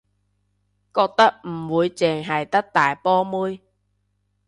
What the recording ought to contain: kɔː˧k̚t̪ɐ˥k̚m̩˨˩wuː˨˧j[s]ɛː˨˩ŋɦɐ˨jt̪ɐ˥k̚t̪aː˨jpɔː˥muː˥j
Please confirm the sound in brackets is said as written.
no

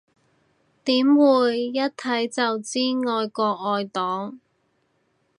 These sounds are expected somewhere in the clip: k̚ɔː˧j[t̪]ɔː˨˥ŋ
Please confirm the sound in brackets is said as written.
yes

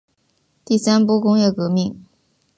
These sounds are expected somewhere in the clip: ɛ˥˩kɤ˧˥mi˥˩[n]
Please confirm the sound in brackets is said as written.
no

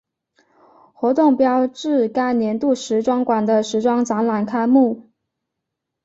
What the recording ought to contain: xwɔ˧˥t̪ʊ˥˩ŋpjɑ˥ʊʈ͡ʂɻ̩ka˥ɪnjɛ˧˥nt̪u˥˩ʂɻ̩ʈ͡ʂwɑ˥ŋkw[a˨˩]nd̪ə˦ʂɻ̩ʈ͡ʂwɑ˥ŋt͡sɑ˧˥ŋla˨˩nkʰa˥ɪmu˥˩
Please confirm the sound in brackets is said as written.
yes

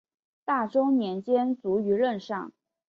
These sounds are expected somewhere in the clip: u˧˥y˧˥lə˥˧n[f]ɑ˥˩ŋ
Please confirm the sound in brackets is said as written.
no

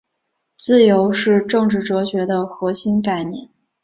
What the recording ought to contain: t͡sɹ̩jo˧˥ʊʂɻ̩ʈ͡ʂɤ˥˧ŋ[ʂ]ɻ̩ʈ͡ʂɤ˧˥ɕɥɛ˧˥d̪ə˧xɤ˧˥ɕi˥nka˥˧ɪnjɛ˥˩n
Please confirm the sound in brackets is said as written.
no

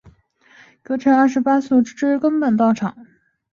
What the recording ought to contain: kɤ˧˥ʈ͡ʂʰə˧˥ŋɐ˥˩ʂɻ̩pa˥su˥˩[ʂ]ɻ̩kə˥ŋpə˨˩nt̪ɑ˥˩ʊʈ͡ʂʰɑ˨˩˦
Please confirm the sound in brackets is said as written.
no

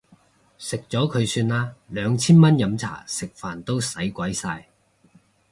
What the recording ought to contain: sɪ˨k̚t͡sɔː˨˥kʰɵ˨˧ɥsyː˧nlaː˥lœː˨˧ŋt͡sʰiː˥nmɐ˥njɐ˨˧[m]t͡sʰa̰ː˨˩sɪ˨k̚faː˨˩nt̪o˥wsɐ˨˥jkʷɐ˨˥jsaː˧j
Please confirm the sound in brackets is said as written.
yes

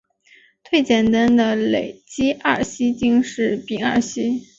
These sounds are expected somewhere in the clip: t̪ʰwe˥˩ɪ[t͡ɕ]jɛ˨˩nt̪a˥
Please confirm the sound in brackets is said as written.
yes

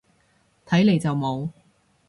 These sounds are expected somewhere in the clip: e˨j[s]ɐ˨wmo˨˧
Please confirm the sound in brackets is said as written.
no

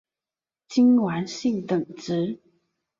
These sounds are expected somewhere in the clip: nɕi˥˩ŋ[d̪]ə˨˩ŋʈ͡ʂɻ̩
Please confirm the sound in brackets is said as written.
no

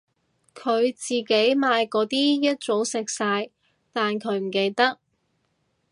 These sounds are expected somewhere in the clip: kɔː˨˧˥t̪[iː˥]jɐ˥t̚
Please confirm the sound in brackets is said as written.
yes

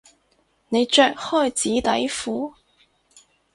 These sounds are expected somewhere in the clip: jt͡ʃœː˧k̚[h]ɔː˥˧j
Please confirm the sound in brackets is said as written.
yes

